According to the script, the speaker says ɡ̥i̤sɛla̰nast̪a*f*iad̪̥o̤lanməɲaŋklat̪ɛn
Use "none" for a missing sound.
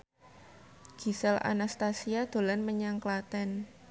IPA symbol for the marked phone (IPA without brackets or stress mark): s